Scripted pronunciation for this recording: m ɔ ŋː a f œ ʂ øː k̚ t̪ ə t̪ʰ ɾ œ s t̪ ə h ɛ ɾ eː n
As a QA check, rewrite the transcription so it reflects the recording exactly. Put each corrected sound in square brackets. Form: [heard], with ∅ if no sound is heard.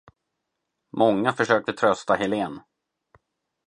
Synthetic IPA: m ɔ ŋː a f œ ʂ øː k̚ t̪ ə t̪ʰ ɾ œ s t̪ [a] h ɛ [l] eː n